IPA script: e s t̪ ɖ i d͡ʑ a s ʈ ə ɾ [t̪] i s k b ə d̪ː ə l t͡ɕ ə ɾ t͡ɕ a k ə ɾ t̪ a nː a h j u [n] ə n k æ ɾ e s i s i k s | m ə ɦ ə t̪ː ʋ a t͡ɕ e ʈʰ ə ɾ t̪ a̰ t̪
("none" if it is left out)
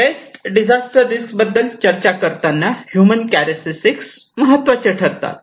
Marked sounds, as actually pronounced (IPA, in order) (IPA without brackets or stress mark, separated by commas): d̪, m